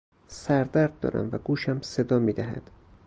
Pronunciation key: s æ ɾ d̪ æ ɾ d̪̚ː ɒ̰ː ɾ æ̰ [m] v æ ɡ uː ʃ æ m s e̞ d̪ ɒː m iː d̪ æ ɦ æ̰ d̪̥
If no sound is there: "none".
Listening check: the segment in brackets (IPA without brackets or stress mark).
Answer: m